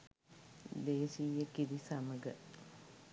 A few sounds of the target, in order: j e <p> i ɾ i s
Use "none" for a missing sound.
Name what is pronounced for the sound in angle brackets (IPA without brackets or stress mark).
k